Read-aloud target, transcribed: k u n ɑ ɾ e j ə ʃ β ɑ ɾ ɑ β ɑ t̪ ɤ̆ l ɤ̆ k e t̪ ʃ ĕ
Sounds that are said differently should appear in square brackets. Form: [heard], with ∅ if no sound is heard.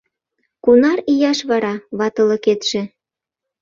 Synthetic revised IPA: k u n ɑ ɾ [i] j [ɑ] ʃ β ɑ ɾ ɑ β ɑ t̪ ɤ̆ l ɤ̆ k e t̪ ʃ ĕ